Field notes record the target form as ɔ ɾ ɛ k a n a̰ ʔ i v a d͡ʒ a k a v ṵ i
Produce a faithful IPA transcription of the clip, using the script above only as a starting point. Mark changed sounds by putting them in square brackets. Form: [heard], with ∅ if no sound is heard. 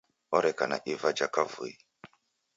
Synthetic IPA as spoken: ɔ ɾ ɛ k a n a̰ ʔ i v a d͡ʒ a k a v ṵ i